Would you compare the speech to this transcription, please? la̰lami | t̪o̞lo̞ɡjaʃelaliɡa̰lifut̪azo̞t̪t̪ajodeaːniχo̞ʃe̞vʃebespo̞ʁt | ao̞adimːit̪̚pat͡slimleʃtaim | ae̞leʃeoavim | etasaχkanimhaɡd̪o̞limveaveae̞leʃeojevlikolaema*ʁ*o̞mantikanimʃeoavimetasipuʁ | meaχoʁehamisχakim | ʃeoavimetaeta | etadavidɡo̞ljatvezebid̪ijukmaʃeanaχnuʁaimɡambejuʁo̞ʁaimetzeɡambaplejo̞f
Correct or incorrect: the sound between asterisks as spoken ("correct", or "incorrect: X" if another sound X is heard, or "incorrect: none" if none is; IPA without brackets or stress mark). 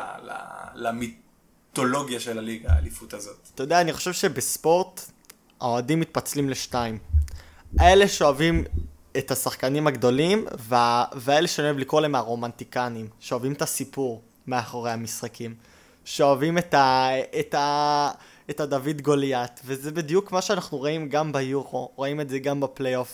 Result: correct